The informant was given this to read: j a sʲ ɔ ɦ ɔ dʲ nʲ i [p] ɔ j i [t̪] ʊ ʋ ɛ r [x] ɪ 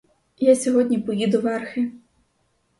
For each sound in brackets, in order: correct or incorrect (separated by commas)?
correct, incorrect, correct